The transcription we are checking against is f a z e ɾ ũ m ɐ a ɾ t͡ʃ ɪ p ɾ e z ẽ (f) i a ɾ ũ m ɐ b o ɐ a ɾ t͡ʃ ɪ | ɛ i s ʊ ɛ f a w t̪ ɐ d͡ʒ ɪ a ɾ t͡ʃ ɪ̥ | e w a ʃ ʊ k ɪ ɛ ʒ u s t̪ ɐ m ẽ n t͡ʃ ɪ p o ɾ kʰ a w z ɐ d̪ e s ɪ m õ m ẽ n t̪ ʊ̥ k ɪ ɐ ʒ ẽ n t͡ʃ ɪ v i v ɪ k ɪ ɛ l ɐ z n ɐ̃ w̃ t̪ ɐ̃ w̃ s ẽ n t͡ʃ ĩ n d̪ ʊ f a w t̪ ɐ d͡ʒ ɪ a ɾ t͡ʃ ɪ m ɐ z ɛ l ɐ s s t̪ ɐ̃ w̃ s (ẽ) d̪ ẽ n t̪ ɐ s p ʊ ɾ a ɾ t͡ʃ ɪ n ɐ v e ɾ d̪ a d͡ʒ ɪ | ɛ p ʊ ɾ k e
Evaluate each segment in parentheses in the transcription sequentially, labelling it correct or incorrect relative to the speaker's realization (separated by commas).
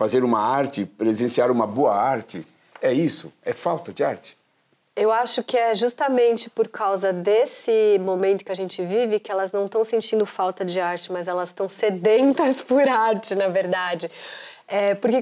incorrect, incorrect